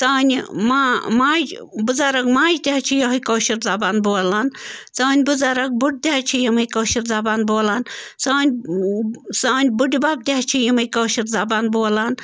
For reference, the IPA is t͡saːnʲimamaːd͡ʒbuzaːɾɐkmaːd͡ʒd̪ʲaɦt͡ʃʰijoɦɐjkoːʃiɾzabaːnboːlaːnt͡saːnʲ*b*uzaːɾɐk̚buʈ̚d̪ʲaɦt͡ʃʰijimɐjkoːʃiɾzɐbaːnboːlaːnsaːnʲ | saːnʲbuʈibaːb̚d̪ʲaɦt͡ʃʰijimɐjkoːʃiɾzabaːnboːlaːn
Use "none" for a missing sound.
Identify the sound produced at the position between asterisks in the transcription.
b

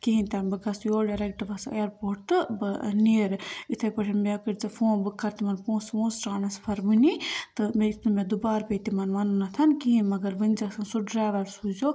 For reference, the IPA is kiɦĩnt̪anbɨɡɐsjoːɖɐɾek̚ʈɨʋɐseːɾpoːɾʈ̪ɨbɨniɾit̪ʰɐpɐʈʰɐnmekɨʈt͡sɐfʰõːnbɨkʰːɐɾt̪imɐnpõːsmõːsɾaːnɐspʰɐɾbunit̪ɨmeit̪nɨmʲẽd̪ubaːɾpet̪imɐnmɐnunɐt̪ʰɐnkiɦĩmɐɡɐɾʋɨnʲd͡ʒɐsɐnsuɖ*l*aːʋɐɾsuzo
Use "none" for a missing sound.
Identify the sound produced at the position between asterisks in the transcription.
ɾ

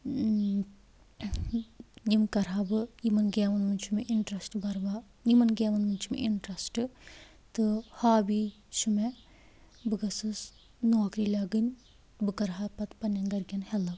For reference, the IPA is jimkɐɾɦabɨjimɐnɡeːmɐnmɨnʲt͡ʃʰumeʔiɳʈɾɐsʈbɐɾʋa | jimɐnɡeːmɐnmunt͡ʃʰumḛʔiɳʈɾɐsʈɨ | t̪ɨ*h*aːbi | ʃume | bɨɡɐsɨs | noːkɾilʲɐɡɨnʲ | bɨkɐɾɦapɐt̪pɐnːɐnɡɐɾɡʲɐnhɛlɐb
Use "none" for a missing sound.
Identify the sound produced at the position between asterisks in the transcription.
h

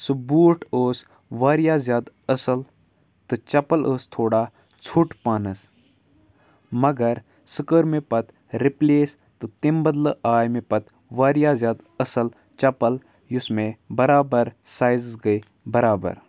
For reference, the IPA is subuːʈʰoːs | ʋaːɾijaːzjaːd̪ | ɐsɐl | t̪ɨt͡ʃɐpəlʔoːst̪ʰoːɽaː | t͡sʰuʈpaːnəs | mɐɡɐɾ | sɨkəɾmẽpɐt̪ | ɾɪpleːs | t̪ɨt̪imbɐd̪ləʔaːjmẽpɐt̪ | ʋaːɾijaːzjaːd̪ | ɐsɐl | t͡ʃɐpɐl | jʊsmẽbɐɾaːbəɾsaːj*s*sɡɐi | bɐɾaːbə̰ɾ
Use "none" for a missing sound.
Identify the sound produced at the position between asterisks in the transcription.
z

